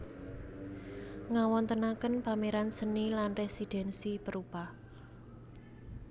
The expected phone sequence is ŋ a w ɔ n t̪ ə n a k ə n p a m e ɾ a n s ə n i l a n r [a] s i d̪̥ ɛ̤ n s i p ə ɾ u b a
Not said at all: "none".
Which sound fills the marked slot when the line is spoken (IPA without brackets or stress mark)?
e